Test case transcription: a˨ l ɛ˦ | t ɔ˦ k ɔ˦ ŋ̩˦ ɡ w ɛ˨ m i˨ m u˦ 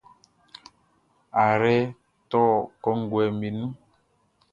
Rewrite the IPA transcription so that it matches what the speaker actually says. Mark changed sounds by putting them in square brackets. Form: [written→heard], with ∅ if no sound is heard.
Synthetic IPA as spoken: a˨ [l→ɾ] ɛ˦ | t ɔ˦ k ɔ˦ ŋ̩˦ ɡ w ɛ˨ m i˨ [m→n] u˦